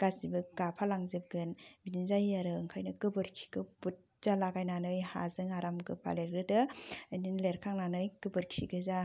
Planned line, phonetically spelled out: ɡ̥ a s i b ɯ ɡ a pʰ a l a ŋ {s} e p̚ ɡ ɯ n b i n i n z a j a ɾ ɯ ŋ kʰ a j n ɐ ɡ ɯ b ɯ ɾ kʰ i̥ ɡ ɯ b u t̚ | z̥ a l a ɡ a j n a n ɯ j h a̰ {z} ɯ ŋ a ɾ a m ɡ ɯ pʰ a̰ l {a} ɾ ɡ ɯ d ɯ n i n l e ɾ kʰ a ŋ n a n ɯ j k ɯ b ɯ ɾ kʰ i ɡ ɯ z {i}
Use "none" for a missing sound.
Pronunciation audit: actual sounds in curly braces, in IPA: z, z, e, a

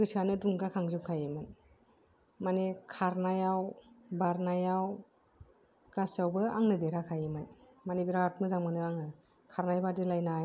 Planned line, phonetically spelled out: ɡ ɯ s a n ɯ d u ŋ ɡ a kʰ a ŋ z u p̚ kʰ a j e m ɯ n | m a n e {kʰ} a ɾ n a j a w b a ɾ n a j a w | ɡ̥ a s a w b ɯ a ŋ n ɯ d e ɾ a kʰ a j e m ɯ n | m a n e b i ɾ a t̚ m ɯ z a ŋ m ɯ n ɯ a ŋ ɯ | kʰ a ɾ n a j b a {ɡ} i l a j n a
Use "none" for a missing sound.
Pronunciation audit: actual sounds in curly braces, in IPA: kʰ, d

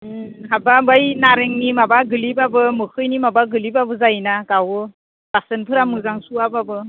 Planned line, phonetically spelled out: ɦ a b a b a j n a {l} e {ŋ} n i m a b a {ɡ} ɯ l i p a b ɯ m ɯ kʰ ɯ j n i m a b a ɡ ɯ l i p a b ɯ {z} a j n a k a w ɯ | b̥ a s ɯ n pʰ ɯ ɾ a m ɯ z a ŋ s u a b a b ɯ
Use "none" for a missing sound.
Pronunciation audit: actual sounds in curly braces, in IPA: ɾ, ŋ, ɡ, z

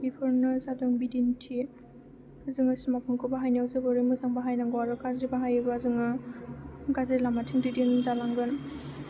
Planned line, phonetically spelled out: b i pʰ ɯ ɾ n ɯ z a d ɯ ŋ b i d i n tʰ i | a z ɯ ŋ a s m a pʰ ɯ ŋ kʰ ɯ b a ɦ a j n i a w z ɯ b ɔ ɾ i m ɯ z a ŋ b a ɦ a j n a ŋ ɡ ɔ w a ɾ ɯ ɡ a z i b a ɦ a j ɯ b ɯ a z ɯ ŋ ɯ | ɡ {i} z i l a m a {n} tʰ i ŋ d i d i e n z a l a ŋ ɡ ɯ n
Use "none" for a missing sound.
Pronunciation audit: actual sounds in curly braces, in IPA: a, none

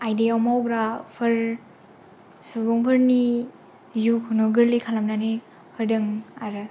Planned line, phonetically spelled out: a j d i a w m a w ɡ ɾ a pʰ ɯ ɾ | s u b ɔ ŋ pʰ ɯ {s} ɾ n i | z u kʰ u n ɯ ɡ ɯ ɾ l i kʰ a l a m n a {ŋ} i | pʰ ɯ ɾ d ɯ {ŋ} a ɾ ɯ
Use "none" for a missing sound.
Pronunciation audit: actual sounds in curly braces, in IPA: none, n, ŋ

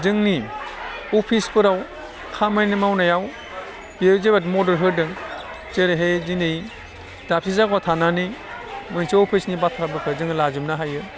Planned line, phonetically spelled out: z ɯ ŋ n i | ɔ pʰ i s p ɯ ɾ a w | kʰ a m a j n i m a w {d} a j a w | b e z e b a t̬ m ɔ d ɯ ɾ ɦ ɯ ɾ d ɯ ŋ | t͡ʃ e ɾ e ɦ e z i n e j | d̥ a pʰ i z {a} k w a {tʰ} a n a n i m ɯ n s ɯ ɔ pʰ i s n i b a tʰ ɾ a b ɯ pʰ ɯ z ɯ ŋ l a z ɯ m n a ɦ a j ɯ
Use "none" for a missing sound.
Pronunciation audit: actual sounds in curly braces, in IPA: n, a, tʰ

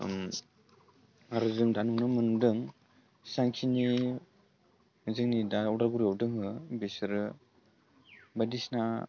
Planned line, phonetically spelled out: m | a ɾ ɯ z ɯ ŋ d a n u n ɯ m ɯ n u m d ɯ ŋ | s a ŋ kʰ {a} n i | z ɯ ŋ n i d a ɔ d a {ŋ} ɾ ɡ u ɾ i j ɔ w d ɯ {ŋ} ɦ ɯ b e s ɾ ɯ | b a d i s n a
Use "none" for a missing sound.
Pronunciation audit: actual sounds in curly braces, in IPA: i, none, ŋ

